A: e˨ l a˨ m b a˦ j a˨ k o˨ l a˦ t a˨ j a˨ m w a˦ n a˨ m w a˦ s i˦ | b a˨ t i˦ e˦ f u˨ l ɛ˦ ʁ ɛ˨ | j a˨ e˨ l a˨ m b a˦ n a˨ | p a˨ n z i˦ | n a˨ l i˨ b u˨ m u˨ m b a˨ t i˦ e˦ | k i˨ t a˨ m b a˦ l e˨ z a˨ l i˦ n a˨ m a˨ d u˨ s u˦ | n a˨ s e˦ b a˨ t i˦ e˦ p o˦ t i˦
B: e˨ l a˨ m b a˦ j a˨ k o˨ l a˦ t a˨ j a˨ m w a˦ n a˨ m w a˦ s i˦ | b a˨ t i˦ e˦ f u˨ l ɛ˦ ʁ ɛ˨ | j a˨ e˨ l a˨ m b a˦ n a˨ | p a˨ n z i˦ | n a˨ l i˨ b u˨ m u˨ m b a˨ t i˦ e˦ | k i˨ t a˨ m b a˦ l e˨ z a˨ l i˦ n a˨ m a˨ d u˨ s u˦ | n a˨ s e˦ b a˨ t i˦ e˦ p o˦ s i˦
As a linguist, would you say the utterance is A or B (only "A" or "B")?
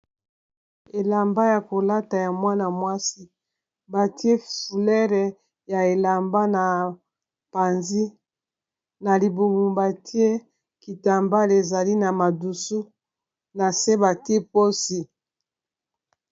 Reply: B